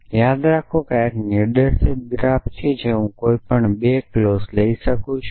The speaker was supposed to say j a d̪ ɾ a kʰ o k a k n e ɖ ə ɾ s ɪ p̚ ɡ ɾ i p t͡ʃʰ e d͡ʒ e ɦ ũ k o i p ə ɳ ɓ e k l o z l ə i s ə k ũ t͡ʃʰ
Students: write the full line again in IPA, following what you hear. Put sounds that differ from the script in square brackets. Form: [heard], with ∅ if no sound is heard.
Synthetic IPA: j a d̪ ɾ a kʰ o k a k n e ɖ ə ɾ s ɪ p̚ ɡ ɾ [a] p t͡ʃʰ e d͡ʒ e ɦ ũ k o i p ə ɳ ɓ e k l o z l ə i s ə k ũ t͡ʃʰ

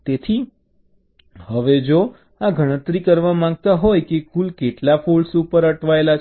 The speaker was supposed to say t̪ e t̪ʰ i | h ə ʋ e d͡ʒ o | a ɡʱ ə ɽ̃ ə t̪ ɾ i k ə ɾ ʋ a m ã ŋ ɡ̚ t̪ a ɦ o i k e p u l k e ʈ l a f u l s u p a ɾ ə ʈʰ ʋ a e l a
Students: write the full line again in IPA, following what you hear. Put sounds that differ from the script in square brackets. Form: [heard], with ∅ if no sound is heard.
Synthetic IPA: t̪ e t̪ʰ i | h ə ʋ e d͡ʒ o | a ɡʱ ə ɽ̃ ə t̪ ɾ i k ə ɾ ʋ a m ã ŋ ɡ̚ t̪ a ɦ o [j] k e [k] u l k e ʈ l a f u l s u p [ə] ɾ ə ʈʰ ʋ a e l a

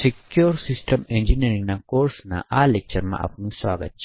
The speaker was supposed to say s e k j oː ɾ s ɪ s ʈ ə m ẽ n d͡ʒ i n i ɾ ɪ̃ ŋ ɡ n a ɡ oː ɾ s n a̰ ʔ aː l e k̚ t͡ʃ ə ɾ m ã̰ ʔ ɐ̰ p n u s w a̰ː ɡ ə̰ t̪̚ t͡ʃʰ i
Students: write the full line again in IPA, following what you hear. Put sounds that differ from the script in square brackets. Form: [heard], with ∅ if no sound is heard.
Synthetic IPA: s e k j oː ɾ s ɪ s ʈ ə m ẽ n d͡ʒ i n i ɾ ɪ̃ ŋ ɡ n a [k] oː ɾ s n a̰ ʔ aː l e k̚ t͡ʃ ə ɾ m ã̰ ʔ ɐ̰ p n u s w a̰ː ɡ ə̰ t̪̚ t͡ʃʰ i

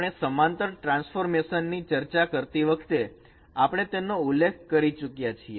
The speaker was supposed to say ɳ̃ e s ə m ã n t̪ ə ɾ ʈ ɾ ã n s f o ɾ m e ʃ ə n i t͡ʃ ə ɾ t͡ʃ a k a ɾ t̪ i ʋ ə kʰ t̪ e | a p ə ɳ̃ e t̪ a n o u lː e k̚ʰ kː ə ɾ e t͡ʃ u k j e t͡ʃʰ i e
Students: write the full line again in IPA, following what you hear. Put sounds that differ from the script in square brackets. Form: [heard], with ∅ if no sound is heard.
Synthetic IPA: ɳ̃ e s ə m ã n t̪ ə ɾ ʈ ɾ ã n s f o ɾ m e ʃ ə [nː] i t͡ʃ ə ɾ t͡ʃ a k [ə] ɾ t̪ i ʋ ə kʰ t̪ e | a p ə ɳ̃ e t̪ [e] n o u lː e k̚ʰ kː ə ɾ [i] t͡ʃ u k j [a] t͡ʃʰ i e

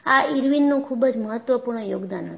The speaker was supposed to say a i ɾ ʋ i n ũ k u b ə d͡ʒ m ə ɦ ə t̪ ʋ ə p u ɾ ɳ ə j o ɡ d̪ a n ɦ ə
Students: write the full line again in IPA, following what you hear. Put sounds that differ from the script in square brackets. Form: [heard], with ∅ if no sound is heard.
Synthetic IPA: a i ɾ ʋ i [nː] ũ [kʰ] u b ə d͡ʒ m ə ɦ ə t̪ ʋ ə p u ɾ ɳ ə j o ɡ d̪ a n ɦ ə

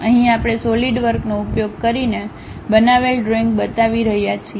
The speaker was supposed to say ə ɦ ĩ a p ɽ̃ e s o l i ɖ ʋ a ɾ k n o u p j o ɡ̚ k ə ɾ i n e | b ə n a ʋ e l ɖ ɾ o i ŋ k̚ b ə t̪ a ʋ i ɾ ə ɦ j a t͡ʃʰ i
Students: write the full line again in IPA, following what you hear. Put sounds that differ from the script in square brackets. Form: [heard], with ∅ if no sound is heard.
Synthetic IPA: ə ɦ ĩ a p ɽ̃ e s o l i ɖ ʋ [ə] ɾ k n o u p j o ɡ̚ k ə ɾ i n e | b ə n a ʋ e l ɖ ɾ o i ŋ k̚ b ə t̪ a ʋ i ɾ ə ɦ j a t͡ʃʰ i

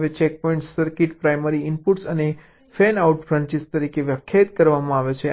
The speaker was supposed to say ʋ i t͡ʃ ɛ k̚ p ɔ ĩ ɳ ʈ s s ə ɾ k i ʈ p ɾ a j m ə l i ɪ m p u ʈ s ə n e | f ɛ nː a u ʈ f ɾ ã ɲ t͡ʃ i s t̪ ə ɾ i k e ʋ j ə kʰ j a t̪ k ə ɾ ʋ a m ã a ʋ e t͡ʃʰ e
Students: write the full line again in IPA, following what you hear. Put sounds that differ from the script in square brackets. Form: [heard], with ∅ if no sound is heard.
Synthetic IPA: ʋ [e] t͡ʃ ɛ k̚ p ɔ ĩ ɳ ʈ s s ə ɾ k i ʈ p ɾ a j m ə [ɾ] i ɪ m p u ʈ s ə n e | f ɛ [n] a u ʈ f ɾ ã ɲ t͡ʃ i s t̪ ə ɾ i k e ʋ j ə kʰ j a t̪ k ə ɾ ʋ a m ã a ʋ e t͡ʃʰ e

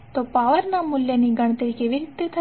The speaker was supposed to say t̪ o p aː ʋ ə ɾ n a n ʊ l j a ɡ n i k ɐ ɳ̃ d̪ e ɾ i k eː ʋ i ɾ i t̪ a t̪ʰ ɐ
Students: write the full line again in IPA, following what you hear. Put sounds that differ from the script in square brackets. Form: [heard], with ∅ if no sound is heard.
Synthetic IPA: t̪ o p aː ʋ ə ɾ n a [m] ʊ l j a [∅] n i [ɡ] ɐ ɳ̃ [t̪] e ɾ i k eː ʋ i ɾ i t̪ [e] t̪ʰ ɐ

